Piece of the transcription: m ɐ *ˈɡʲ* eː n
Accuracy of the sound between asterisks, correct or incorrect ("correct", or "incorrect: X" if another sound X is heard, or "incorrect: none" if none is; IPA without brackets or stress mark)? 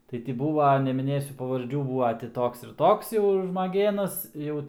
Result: correct